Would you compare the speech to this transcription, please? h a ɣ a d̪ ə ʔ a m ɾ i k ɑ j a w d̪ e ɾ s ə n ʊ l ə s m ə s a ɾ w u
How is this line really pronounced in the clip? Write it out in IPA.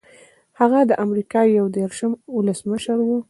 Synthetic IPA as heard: h a ɣ a d̪ ə ʔ a m ɾ i k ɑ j a w d̪ e ɾ ʃ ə m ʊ l ə s m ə ʃ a ɾ w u